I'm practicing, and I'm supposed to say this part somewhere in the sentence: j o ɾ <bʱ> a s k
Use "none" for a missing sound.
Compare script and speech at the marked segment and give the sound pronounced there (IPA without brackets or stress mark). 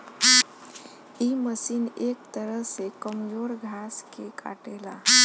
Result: ɡʱ